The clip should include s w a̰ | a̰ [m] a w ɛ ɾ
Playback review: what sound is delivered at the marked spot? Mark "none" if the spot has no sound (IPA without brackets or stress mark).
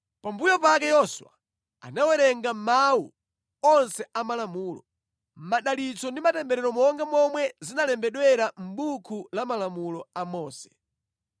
n